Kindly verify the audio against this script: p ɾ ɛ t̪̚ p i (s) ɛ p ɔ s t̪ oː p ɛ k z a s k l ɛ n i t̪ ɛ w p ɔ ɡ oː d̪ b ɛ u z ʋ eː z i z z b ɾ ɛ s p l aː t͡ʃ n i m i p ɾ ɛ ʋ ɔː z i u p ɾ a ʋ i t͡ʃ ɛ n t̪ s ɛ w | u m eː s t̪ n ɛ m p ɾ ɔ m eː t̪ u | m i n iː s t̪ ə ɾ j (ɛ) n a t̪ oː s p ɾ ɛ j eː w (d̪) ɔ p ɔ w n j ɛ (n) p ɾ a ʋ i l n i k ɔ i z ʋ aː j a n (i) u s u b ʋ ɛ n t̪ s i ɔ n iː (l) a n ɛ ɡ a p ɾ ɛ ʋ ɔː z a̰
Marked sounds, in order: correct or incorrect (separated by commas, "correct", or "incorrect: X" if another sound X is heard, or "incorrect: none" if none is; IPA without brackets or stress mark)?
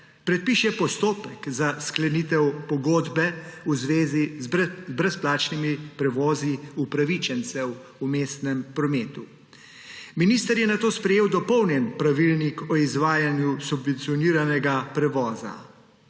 incorrect: ʃ, correct, correct, correct, incorrect: j, incorrect: ɾ